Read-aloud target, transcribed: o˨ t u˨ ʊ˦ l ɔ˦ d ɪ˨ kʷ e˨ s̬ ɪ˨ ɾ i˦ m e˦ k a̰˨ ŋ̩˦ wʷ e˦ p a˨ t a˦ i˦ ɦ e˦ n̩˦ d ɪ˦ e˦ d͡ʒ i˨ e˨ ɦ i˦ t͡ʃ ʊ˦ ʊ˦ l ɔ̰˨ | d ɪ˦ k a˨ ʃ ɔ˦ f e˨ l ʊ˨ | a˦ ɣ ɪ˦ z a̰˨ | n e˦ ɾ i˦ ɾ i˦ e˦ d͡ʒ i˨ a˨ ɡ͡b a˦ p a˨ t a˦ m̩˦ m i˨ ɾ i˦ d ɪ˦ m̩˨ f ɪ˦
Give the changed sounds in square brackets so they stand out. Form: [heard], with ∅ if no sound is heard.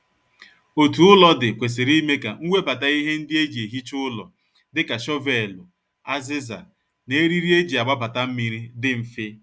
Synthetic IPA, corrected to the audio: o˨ t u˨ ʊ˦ l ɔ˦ d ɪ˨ kʷ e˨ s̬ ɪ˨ ɾ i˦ m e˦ k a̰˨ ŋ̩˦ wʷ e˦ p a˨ t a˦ i˦ ɦ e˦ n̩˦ d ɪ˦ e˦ d͡ʒ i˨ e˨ ɦ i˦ t͡ʃ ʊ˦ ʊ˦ l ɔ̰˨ | d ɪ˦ k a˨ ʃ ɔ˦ [v] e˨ l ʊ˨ | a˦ [z] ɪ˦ z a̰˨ | n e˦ ɾ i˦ ɾ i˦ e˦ d͡ʒ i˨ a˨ ɡ͡b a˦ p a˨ t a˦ m̩˦ m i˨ ɾ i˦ d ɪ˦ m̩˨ f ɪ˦